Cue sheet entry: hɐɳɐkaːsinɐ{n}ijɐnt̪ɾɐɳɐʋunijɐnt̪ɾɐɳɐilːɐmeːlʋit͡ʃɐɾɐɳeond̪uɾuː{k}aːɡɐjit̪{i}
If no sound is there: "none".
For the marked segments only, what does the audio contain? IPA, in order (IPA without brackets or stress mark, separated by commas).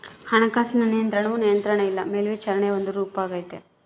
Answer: n, p, e